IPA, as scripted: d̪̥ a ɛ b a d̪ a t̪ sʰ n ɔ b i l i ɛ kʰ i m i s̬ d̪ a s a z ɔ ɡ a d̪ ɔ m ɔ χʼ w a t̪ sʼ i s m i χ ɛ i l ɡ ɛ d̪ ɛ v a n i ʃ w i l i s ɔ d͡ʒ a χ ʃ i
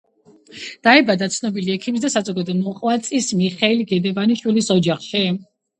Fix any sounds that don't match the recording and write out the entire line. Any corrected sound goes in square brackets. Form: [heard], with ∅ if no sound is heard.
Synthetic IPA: d̪̥ a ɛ b a d̪ a t̪ sʰ n ɔ b i l i ɛ kʰ i m i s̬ d̪ a s a z ɔ ɡ a d̪ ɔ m ɔ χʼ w a t̪ sʼ i s m i χ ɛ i l ɡ ɛ d̪ ɛ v a n i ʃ w i l i s ɔ d͡ʒ a χ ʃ i